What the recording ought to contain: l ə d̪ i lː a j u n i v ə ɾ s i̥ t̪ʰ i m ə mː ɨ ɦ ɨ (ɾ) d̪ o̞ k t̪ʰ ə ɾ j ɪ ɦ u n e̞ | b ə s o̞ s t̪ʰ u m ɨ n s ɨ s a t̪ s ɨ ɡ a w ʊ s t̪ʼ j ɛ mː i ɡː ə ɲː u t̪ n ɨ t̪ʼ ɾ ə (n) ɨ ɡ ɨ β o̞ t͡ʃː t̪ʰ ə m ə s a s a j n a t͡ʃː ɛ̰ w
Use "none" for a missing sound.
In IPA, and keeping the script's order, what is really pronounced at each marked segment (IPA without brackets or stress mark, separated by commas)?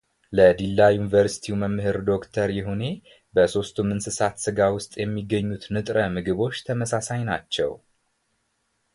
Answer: ɾ, m